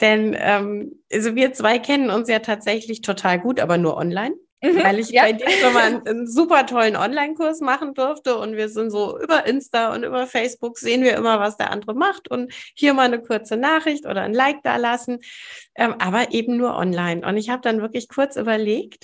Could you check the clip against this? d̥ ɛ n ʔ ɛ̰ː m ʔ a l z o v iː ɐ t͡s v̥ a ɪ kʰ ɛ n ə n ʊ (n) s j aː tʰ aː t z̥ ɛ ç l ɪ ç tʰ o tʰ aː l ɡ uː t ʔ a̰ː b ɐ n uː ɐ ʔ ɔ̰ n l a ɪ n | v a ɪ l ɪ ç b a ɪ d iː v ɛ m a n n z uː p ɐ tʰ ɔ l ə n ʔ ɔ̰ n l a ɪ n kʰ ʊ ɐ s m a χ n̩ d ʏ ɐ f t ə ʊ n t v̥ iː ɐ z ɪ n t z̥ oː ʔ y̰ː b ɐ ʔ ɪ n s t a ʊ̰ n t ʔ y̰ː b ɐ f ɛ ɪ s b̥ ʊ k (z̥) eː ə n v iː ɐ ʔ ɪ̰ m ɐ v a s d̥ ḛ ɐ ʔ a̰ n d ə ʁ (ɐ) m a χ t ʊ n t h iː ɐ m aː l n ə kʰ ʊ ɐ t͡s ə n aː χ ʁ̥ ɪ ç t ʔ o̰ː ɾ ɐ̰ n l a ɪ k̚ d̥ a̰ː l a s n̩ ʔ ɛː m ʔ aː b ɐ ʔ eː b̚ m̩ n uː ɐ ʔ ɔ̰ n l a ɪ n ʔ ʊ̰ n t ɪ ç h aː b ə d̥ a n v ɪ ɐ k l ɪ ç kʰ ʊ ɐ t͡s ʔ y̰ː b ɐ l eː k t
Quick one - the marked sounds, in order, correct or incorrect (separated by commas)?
correct, correct, incorrect